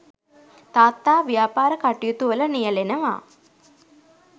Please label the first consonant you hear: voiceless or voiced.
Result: voiceless